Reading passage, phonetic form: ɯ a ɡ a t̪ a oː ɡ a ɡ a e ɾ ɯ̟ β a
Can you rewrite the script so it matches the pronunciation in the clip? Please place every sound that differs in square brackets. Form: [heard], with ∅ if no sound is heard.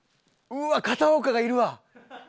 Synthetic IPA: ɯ a [k] a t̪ a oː [k] a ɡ a [i] ɾ ɯ̟ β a